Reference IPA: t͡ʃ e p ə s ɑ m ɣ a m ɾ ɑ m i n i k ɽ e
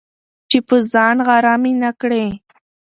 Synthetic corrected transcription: t͡ʃ e p ə z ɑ n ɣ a ɾ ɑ m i n a k ɽ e